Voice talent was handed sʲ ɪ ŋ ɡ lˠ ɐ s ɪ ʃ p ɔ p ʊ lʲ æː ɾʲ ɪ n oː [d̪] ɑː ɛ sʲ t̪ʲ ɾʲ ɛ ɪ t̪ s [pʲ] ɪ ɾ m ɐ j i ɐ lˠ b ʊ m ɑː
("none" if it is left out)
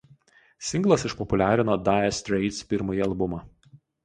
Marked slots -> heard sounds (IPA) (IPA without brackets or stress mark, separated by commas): d̪, pʲ